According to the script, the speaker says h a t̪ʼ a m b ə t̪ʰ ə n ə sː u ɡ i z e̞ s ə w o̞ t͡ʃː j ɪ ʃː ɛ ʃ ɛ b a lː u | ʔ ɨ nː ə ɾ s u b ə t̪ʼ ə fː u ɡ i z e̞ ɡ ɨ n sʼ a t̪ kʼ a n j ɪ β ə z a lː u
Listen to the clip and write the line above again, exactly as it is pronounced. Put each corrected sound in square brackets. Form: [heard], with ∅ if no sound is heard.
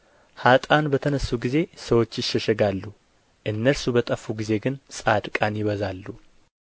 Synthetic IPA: h a t̪ʼ a [n] b ə t̪ʰ ə n ə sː u ɡ i z e̞ s ə w o̞ t͡ʃː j ɪ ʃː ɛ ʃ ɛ [ɡ] a lː u | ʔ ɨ nː ə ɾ s u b ə t̪ʼ ə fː u ɡ i z e̞ ɡ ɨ n sʼ a [d̪] kʼ a n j ɪ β ə z a lː u